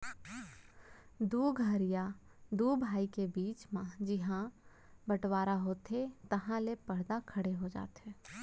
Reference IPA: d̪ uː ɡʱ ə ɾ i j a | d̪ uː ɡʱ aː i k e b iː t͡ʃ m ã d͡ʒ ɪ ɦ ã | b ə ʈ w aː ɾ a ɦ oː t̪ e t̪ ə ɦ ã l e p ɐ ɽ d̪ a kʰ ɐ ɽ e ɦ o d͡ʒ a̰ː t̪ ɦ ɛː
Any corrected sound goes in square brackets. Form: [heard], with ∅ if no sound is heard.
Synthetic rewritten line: d̪ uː ɡʱ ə ɾ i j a | d̪ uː [bʱ] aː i k e b iː t͡ʃ m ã d͡ʒ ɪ ɦ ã | b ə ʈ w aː ɾ a ɦ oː t̪ e t̪ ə ɦ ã l e p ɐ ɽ d̪ a kʰ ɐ ɽ e ɦ o d͡ʒ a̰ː t̪ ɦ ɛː

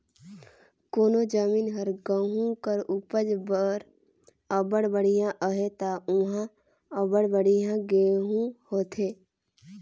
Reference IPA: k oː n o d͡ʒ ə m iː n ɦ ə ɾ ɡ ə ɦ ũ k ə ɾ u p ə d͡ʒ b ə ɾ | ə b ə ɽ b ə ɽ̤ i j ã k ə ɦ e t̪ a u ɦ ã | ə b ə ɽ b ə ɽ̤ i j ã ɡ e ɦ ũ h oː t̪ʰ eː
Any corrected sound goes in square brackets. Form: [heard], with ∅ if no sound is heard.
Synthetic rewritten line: k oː n o d͡ʒ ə m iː n ɦ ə ɾ ɡ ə ɦ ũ k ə ɾ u p ə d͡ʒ b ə ɾ | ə b ə ɽ b ə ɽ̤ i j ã [ʔ] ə ɦ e t̪ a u ɦ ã | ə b ə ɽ b ə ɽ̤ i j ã ɡ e ɦ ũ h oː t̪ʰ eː

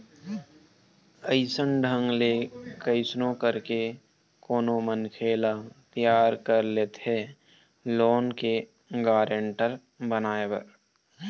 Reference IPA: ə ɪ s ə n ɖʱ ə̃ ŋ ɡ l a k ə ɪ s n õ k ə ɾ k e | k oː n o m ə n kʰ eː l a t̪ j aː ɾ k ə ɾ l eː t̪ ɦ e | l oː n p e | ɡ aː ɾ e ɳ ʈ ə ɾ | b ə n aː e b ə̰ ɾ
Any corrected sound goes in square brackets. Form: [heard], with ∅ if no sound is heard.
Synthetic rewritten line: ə ɪ s ə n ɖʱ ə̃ ŋ ɡ l [e] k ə ɪ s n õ k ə ɾ k e | k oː n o m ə n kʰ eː l a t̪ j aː ɾ k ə ɾ l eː t̪ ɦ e | l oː n [k] e | ɡ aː ɾ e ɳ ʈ ə ɾ | b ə n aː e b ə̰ ɾ

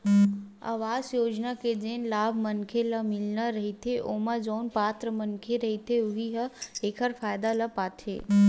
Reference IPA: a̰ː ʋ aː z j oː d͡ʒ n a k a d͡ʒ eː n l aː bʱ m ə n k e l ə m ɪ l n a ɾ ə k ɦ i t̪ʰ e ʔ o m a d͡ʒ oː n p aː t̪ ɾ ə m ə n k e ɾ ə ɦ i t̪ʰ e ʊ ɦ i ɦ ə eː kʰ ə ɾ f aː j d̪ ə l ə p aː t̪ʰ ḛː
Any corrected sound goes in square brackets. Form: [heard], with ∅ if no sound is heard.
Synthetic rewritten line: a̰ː ʋ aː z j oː d͡ʒ n a k [e] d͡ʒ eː n l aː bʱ m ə n [kʰ] e l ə m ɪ l n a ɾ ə [∅] ɦ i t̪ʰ e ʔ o m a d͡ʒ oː n p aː t̪ ɾ ə m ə n [kʰ] e ɾ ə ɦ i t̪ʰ e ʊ ɦ i ɦ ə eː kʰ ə ɾ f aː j d̪ [a] l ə p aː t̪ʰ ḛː

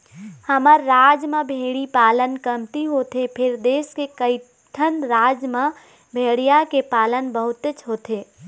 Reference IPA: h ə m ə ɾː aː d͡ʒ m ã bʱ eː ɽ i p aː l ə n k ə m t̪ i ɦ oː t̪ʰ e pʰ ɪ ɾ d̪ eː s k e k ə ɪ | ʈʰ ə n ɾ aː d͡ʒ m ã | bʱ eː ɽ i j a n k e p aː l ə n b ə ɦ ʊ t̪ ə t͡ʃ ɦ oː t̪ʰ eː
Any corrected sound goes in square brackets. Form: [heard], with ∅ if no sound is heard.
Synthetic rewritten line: h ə m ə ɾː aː d͡ʒ m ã bʱ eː ɽ i p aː l ə n k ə m t̪ i ɦ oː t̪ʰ e pʰ ɪ ɾ d̪ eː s k e k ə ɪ | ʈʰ ə n ɾ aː d͡ʒ m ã | bʱ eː ɽ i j a [∅] k e p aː l ə n b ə ɦ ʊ t̪ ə t͡ʃ ɦ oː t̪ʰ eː

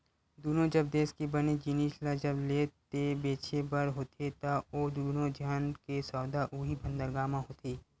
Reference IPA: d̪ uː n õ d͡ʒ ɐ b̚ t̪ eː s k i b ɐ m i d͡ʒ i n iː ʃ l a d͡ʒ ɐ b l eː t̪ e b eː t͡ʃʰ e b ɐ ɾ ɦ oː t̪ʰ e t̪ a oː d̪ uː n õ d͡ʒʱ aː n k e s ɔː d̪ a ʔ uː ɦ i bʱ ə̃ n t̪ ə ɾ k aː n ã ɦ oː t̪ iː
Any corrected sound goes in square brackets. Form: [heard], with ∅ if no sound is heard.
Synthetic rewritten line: d̪ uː n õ d͡ʒ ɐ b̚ [d̪] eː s k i b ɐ [n] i d͡ʒ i n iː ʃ l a d͡ʒ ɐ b l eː t̪ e b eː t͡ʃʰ e b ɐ ɾ ɦ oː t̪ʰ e t̪ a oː d̪ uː n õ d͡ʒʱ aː n k e s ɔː d̪ a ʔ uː ɦ i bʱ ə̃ n [d̪] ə ɾ [ɡ] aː [m] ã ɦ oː t̪ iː

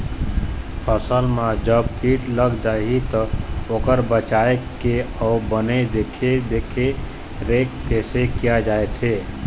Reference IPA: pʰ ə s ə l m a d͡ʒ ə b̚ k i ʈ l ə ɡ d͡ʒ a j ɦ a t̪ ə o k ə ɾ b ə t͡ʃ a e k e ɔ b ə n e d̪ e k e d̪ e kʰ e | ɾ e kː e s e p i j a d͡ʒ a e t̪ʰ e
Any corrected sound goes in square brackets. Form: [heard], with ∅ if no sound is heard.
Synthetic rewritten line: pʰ ə s ə l m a d͡ʒ ə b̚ k i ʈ l ə ɡ d͡ʒ a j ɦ [i] t̪ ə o k ə ɾ b ə t͡ʃ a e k e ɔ b ə n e d̪ e [kʰ] e d̪ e kʰ e | ɾ e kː e s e [k] i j a d͡ʒ a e t̪ʰ e

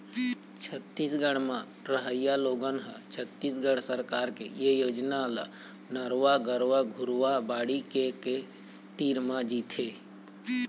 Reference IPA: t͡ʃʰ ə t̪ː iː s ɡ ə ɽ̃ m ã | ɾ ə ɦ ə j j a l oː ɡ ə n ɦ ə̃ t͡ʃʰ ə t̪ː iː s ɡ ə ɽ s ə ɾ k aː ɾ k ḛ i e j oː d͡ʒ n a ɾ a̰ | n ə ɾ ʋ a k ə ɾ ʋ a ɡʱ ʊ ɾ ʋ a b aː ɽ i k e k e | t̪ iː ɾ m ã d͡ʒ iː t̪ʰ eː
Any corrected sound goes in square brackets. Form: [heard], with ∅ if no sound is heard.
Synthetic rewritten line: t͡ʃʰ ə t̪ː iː s ɡ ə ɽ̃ m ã | ɾ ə ɦ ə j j a l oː ɡ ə n ɦ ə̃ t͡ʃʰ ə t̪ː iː s ɡ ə ɽ s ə ɾ k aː ɾ k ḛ [j] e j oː d͡ʒ n a [l] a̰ | n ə ɾ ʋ a [ɡ] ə ɾ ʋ a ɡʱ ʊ ɾ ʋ a b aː ɽ i k e k e | t̪ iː ɾ m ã d͡ʒ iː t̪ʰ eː

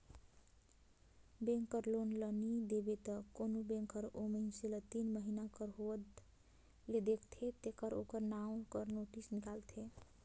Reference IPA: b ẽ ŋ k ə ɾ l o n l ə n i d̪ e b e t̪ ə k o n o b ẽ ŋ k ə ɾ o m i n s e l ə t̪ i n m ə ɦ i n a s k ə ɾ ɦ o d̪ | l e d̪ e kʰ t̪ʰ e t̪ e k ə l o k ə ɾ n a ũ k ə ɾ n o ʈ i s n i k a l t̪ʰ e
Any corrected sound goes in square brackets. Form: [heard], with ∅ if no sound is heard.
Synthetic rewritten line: b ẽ ŋ k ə ɾ l o n l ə n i d̪ e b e t̪ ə k o n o b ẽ ŋ k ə ɾ o m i n s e l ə t̪ i n m ə ɦ i n a [∅] k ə ɾ ɦ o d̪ | l e d̪ e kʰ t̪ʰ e t̪ e k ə [ɾ] o k ə ɾ n a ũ k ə ɾ n o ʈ i s n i k a l t̪ʰ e

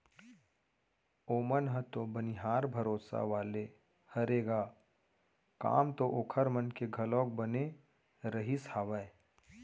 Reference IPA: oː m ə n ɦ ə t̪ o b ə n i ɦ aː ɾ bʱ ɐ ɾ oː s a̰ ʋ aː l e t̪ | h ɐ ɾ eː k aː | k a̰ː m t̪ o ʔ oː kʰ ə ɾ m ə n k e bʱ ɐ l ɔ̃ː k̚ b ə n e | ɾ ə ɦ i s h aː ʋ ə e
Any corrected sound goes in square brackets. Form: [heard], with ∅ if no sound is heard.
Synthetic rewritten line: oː m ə n ɦ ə t̪ o b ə n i ɦ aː ɾ bʱ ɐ ɾ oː s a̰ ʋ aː l e [∅] | h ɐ ɾ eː [ɡ] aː | k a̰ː m t̪ o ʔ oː kʰ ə ɾ m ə n k e [ɡʱ] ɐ l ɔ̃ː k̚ b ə n e | ɾ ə ɦ i s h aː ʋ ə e

